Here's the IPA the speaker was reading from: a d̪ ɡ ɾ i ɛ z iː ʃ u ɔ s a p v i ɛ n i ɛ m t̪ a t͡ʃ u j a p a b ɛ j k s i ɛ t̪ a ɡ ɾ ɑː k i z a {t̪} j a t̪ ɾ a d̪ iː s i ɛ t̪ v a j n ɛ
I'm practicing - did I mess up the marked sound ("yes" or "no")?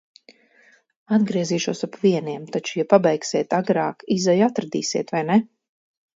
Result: yes